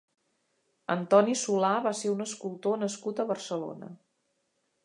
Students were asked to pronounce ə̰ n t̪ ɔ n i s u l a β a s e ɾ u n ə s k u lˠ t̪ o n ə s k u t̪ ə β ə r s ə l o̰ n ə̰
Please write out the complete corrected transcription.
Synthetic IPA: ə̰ n t̪ ɔ n i s u l a β a s e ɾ u n ə s k u lˠ t̪ o n ə s k u t̪ ə β ə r s ə l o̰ n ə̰